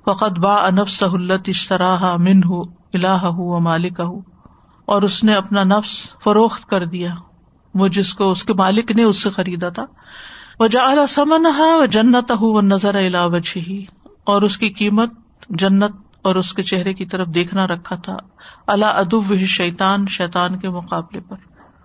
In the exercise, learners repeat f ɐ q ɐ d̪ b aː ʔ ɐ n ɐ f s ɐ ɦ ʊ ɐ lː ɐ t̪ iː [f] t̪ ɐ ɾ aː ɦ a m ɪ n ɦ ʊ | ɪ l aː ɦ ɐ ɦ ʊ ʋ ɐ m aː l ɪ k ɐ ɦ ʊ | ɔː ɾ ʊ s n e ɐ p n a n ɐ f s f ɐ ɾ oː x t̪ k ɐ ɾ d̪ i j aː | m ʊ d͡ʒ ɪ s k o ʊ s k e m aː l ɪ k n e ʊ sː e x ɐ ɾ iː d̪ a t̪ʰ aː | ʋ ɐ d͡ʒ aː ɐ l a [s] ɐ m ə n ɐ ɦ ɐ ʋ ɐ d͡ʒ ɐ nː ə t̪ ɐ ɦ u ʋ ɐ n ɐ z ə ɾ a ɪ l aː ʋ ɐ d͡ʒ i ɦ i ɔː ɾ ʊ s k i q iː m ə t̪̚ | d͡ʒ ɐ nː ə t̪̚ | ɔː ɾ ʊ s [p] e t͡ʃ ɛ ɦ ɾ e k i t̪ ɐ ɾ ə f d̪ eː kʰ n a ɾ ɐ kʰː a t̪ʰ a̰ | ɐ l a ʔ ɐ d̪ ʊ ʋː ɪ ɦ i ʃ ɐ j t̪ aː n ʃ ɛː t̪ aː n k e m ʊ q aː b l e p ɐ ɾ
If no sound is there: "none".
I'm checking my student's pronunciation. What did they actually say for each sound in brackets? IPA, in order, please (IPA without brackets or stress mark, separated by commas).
ʃ, s, k